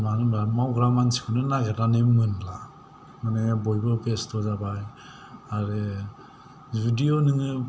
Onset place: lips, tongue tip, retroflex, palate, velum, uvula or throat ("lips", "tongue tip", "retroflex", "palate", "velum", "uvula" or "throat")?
lips